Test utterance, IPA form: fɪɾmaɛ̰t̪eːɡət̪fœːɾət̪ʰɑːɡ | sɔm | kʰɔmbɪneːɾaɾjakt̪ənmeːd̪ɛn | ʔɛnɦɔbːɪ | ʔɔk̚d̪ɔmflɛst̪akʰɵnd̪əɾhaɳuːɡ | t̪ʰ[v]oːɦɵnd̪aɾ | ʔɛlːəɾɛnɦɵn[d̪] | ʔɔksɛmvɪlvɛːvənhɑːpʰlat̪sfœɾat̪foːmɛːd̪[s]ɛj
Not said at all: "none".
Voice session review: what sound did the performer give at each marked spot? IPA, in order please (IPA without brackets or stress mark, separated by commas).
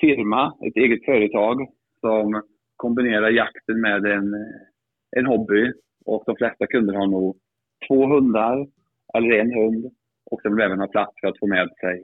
v, d̪, s